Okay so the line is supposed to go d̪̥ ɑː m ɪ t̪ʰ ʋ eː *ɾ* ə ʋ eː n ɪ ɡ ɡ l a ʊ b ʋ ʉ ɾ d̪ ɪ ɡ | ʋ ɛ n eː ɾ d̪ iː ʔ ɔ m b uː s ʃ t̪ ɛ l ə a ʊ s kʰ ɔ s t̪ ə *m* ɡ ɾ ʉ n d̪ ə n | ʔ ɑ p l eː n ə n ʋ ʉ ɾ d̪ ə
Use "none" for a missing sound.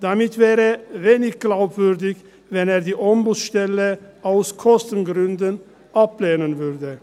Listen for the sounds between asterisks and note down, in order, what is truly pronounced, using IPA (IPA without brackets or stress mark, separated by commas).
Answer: ɾ, n